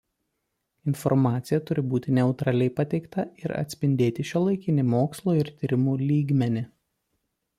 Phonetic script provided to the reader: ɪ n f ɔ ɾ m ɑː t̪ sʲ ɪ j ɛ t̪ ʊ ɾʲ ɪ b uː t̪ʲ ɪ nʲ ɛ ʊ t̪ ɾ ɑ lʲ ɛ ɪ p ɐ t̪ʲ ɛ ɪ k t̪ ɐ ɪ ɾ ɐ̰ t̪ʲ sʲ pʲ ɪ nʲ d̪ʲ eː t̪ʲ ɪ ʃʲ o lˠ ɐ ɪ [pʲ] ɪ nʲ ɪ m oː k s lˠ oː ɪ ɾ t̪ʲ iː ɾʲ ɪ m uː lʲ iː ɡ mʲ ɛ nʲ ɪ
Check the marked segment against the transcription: incorrect: kʲ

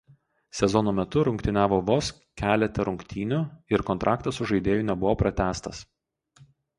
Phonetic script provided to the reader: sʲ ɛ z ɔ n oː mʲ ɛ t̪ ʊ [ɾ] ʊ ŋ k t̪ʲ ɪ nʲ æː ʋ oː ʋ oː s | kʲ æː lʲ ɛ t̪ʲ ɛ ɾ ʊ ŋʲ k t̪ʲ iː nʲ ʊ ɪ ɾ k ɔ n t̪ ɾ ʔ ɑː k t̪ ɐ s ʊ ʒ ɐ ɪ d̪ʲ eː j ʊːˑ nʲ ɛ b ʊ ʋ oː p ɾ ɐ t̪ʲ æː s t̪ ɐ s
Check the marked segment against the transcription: correct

